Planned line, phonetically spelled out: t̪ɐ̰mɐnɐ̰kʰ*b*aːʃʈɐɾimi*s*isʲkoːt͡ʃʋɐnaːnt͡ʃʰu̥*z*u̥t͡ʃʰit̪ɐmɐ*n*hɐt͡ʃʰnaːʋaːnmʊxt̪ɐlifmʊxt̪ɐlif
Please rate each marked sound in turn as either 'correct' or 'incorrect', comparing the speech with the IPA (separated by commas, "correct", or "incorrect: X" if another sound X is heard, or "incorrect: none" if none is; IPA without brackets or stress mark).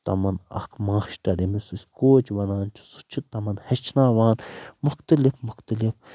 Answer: incorrect: m, correct, incorrect: s, correct